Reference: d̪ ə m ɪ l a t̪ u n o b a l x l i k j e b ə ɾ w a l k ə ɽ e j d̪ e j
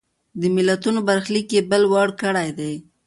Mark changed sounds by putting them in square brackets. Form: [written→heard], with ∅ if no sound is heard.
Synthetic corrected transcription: d̪ ə m ɪ l a t̪ u n o b a [l→ɾ] x l i k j e b ə [ɾ→l] w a [l→ɽ] k ə ɽ [e→a] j d̪ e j